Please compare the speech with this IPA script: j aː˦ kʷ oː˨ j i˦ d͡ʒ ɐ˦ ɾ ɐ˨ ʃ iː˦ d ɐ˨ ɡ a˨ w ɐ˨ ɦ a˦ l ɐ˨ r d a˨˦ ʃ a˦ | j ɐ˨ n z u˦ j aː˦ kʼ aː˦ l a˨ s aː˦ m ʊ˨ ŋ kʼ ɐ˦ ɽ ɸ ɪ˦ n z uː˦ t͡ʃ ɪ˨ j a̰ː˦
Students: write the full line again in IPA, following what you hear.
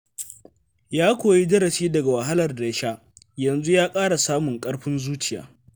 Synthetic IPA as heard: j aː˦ kʷ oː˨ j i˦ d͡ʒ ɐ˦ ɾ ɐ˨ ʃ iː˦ d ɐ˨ ɡ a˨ w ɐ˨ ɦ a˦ l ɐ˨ r d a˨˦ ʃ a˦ | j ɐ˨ n z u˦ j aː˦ kʼ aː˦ ɽ a˨ s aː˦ m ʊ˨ ŋ kʼ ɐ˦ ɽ ɸ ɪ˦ n z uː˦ t͡ʃ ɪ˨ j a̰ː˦